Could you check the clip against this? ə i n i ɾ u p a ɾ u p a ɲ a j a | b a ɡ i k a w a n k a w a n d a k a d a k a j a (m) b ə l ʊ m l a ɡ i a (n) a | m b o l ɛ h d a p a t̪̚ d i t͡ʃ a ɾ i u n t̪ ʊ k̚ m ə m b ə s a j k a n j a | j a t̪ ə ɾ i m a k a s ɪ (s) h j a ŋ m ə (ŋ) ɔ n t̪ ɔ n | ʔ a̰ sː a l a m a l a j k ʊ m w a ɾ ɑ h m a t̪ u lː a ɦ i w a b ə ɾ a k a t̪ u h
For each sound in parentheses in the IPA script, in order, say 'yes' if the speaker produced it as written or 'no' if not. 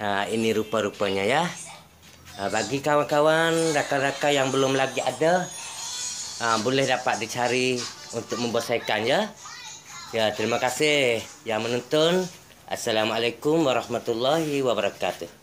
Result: no, no, no, no

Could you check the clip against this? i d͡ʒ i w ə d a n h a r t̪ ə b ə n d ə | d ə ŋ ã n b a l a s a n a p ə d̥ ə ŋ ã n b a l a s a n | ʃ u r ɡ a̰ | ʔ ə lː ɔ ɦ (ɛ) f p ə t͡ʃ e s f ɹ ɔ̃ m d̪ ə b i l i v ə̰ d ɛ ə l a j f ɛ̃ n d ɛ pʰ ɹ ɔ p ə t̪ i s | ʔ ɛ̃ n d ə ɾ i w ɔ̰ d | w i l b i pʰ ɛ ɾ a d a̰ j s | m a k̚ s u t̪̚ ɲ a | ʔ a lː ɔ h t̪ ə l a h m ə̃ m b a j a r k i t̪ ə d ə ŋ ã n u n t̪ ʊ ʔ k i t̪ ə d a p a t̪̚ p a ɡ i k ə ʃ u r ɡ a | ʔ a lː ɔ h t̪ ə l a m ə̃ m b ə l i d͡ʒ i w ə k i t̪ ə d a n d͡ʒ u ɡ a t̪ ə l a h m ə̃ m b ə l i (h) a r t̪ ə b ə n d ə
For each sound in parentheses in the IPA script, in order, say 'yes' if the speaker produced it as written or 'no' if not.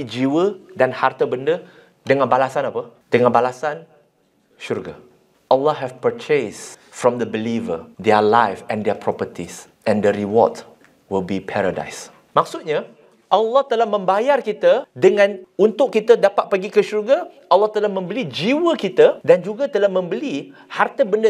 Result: yes, yes

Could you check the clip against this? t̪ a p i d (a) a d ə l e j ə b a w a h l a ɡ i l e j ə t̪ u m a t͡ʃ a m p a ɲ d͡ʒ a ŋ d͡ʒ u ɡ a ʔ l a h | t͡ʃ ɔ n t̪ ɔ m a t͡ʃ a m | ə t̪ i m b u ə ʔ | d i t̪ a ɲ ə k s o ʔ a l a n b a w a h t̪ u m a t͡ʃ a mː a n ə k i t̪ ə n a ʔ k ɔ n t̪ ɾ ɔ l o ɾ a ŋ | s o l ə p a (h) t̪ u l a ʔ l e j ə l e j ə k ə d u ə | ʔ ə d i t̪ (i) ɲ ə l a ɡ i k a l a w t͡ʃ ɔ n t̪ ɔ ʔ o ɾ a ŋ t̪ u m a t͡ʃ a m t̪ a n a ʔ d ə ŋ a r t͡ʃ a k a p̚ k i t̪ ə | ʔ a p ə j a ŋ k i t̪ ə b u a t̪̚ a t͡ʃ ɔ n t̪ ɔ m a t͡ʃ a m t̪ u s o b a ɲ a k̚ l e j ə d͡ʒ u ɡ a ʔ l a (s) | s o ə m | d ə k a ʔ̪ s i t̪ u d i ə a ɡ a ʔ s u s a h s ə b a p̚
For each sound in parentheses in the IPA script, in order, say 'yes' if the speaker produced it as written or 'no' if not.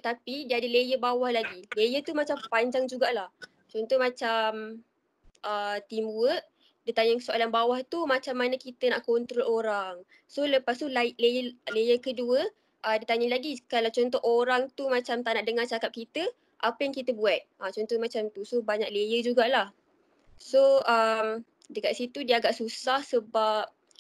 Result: no, no, no, no

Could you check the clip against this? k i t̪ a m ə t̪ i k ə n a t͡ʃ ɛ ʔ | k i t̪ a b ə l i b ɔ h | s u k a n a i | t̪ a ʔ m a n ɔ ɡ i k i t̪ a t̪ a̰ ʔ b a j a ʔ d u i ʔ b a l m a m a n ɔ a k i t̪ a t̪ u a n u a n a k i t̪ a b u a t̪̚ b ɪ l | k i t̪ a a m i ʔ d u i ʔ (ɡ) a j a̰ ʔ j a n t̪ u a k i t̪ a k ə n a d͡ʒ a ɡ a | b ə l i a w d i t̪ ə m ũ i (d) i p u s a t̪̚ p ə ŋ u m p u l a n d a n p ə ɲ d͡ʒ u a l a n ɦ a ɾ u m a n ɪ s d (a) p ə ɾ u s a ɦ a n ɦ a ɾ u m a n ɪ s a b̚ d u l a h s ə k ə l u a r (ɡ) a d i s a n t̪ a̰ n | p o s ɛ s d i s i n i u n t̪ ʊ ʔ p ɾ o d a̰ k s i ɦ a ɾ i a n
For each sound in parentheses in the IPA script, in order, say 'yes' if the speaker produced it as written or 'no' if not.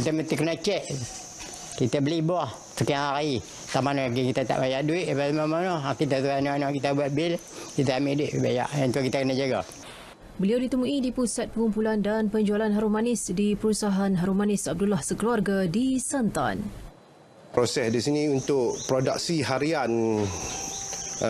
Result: no, yes, no, yes

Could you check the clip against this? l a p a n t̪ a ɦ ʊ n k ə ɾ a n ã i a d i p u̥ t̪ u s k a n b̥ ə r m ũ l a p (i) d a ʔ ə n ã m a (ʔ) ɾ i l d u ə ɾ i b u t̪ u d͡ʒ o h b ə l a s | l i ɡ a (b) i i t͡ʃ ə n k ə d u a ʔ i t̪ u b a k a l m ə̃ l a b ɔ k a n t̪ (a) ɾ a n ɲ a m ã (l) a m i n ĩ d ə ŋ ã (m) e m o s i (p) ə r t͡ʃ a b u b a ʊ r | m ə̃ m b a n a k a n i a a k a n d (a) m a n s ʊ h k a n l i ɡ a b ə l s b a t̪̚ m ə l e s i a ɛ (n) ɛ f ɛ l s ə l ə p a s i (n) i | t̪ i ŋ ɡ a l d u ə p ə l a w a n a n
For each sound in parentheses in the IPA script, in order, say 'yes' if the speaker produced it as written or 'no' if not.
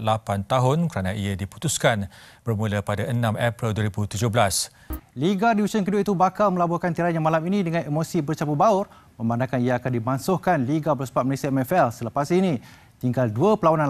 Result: no, no, no, no, yes, no, no, no, no, yes

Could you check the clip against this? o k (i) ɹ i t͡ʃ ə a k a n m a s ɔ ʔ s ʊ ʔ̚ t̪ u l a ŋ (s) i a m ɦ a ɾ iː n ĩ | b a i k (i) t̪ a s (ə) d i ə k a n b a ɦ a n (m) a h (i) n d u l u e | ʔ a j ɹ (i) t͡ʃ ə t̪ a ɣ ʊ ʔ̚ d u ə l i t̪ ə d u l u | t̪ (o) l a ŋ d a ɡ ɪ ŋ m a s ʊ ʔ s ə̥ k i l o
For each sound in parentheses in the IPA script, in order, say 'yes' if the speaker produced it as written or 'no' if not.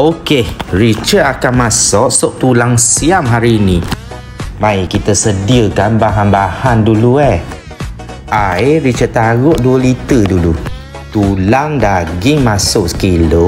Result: no, yes, yes, yes, no, no, yes, no

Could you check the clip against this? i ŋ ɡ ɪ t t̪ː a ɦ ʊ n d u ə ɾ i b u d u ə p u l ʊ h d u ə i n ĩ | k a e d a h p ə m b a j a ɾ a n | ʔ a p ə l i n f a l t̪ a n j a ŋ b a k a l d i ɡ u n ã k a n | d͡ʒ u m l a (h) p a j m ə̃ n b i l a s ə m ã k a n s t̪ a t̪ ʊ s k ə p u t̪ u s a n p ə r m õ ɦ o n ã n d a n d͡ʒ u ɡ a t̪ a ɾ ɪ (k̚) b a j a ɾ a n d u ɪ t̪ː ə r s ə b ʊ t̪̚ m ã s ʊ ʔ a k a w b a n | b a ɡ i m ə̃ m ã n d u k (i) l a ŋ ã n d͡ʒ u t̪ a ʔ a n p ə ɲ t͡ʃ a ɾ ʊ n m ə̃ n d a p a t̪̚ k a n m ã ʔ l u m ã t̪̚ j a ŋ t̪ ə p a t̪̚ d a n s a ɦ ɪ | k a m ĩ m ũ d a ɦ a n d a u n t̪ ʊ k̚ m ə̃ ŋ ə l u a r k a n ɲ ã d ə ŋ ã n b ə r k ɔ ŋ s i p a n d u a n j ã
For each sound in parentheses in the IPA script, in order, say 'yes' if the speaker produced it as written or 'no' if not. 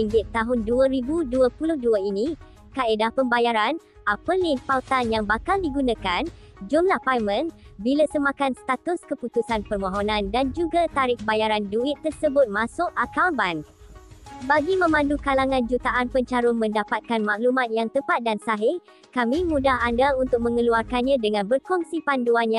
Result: yes, yes, no

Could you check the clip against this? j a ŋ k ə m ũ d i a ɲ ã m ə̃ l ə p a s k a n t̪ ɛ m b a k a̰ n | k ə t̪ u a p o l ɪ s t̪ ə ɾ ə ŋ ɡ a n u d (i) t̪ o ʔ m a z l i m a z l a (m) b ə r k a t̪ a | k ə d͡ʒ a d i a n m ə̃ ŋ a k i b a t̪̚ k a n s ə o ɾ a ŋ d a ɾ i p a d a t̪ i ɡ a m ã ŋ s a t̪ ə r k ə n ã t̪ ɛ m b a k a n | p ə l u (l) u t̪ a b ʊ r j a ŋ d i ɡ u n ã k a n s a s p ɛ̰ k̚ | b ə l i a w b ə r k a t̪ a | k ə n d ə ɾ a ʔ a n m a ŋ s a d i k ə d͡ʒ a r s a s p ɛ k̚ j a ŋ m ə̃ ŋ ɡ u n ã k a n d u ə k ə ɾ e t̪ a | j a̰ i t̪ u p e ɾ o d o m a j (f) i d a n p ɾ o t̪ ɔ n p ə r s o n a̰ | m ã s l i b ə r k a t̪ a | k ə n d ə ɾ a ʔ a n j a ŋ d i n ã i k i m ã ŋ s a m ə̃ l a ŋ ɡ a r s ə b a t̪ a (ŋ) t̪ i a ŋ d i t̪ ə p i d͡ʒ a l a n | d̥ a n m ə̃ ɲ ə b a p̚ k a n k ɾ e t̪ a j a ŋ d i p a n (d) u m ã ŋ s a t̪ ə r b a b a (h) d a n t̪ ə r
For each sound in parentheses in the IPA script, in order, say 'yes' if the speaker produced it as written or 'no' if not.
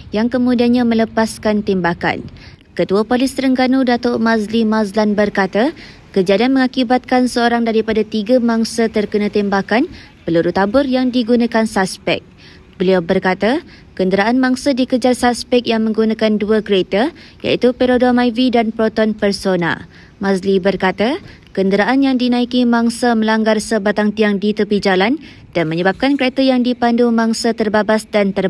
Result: no, no, no, no, yes, yes, no

